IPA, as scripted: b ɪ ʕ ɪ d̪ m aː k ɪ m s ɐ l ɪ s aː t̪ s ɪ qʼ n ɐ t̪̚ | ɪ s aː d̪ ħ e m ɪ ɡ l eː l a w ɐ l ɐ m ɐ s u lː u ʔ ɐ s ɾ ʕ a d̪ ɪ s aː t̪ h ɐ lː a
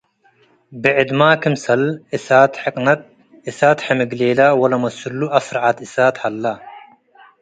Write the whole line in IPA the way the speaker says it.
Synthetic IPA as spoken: b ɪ ʕ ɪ d̪ m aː k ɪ m s ɐ l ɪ s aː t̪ ħ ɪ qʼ n ɐ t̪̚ | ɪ s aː t̪ ħ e m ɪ ɡ l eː l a w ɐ l ɐ m ɐ s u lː u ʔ ɐ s ɾ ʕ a t̪ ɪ s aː t̪ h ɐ lː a